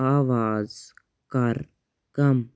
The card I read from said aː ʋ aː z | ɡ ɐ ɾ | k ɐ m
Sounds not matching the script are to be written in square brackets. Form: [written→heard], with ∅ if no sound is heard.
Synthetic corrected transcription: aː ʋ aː z | [ɡ→k] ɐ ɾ | k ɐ m